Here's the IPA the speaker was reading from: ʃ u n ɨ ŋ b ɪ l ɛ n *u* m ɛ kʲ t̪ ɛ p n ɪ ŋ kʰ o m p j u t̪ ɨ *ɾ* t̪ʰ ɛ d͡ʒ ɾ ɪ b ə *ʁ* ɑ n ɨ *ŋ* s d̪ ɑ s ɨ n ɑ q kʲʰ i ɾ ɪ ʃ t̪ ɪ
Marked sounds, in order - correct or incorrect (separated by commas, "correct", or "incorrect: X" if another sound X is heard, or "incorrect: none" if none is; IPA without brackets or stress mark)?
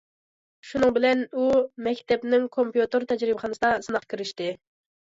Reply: correct, correct, incorrect: χ, incorrect: none